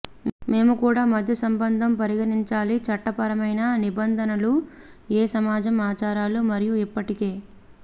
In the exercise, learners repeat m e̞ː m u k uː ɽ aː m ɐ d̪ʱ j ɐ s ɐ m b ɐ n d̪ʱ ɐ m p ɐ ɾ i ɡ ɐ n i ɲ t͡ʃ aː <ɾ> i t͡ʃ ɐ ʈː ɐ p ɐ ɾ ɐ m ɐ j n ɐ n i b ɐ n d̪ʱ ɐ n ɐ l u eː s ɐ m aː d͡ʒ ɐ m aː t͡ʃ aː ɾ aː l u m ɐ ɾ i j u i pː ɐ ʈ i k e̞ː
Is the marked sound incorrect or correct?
incorrect